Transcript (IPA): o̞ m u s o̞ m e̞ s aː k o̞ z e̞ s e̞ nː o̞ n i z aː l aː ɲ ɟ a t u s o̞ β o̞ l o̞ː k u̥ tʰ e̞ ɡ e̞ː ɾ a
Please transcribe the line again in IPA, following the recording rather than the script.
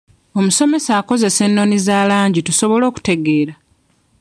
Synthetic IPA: o̞ m u s o̞ m e̞ s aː k o̞ z e̞ s e̞ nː o̞ n i z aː l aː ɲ ɟ i t u s o̞ β o̞ l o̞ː k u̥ t e̞ ɡ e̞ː ɾ a